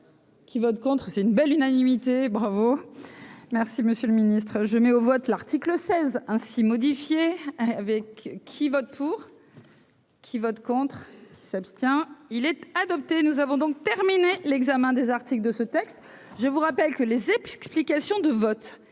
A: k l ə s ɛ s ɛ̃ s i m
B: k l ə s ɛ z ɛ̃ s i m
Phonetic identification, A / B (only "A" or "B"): B